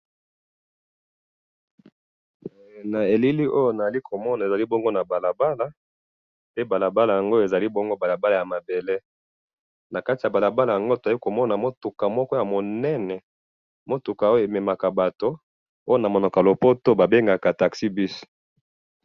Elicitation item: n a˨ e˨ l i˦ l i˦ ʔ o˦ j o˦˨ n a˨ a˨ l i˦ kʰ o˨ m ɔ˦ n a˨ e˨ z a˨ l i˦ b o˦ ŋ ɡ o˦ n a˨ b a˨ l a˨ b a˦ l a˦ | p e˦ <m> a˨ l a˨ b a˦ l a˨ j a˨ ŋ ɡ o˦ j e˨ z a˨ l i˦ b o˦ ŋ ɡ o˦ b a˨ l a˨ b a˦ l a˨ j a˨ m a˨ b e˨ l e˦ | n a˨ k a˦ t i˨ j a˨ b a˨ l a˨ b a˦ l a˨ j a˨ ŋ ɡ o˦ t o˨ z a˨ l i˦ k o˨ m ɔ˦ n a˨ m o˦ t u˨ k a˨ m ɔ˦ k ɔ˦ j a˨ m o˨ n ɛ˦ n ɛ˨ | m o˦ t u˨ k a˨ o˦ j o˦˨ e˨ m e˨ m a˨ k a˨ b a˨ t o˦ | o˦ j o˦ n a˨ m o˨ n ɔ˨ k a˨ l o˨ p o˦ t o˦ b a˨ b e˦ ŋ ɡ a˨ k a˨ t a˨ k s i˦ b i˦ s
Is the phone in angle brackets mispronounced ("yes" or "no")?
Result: yes